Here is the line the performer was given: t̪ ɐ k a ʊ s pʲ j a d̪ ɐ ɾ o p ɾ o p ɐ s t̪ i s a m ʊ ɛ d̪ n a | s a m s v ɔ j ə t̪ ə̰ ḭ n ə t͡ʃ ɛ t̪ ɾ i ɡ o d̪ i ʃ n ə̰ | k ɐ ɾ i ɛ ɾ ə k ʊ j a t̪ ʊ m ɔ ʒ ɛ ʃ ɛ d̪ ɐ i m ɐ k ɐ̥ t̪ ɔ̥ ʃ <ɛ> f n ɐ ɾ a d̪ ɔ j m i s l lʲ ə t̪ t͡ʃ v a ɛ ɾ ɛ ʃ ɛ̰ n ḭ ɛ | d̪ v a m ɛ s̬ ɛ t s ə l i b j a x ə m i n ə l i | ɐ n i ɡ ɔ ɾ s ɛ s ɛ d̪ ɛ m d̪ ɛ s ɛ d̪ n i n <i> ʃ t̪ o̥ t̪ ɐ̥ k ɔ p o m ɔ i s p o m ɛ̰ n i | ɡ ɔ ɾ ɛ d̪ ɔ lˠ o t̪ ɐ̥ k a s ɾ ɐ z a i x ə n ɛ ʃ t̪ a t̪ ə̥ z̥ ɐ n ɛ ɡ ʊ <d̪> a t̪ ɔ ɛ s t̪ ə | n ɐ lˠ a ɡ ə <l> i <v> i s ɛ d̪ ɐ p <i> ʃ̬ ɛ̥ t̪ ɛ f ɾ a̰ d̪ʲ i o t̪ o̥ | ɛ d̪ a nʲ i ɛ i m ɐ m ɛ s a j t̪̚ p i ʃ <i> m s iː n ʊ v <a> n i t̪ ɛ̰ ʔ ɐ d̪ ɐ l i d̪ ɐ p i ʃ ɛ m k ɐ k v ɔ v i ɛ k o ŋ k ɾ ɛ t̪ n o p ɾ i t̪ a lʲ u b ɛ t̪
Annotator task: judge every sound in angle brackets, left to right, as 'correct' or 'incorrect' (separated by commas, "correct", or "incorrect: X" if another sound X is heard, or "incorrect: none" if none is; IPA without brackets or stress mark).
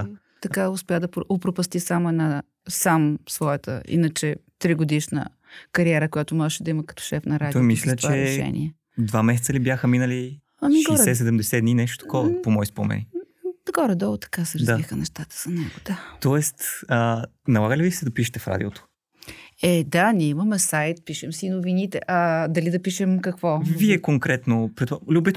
correct, incorrect: ɛ, correct, correct, correct, correct, incorrect: ɛ, incorrect: i